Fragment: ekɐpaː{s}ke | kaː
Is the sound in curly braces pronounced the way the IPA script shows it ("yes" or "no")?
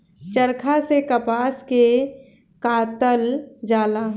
yes